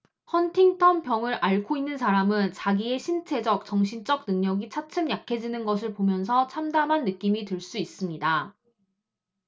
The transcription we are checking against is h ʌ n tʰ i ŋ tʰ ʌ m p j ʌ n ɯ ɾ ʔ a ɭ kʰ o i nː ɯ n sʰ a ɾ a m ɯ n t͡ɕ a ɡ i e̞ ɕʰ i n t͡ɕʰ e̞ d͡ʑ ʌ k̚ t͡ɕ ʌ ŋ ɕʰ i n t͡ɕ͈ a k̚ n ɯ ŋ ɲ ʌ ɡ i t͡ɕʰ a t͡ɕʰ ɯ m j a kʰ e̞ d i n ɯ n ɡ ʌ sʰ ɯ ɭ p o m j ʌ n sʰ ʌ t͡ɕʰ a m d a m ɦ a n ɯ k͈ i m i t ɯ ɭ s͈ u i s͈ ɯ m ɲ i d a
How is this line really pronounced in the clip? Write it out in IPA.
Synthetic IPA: h ʌ n tʰ i ŋ tʰ ʌ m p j ʌ ŋ ɯ ɾ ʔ a ɭ kʰ o i nː ɯ n sʰ a ɾ a m ɯ n t͡ɕ a ɡ i e̞ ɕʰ i n t͡ɕʰ e̞ d͡ʑ ʌ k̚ t͡ɕ ʌ ŋ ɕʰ i n t͡ɕ͈ ʌ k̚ n ɯ ŋ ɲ ʌ ɡ i t͡ɕʰ a t͡ɕʰ ɯ m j a kʰ e̞ d͡ʑ i n ɯ n ɡ ʌ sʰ ɯ ɭ p o m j ʌ n sʰ ʌ t͡ɕʰ a m d a m ɦ a nː ɯ k͈ i m i t ɯ ɭ s͈ u i s͈ ɯ m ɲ i d a

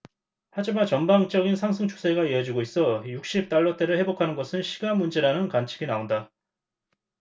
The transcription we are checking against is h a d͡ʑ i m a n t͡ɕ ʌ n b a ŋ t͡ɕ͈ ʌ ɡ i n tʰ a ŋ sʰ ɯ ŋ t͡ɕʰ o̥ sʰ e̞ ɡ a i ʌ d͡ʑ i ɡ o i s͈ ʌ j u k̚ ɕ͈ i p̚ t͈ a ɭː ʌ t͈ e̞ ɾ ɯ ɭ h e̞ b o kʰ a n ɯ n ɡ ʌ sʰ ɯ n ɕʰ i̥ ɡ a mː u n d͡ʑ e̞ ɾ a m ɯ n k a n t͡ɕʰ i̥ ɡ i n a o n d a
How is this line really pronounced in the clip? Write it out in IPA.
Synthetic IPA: h a d͡ʑ i m a n t͡ɕ ʌ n b a ŋ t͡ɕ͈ ʌ ɡ i n sʰ a ŋ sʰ ɯ ŋ t͡ɕʰ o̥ sʰ e̞ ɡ a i ʌ d͡ʑ i ɡ o i s͈ ʌ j u k̚ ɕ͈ i p̚ t͈ a ɭː ʌ t͈ e̞ ɾ ɯ ɭ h e̞ b o kʰ a n ɯ n ɡ ʌ sʰ ɯ n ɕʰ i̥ ɡ a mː u n d͡ʑ e̞ ɾ a n ɯ n k a n t͡ɕʰ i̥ ɡ i n a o n d a

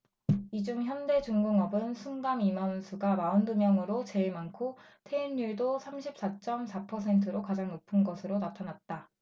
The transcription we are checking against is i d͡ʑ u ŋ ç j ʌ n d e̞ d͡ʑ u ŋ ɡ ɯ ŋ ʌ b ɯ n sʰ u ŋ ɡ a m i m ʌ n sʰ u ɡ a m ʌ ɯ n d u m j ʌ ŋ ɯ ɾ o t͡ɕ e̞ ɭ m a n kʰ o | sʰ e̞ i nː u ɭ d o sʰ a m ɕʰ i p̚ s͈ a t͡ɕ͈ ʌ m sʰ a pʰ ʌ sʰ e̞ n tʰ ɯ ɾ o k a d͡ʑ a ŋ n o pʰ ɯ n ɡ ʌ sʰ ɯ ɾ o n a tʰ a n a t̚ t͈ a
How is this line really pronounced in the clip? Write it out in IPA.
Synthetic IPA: i d͡ʑ u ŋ ç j ʌ n d e̞ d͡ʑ u ŋ ɡ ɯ ŋ ʌ b ɯ n sʰ u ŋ ɡ a m i m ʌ n sʰ u ɡ a m a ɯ n d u m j ʌ ŋ ɯ ɾ o t͡ɕ e̞ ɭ m a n kʰ o | tʰ e̞ i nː u ɭ d o sʰ a m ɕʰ i p̚ s͈ a t͡ɕ͈ ʌ m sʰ a pʰ ʌ sʰ e̞ n tʰ ɯ ɾ o k a d͡ʑ a ŋ n o pʰ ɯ n ɡ ʌ sʰ ɯ ɾ o n a tʰ a n a t̚ t͈ a

